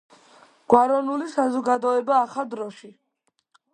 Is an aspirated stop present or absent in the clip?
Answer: absent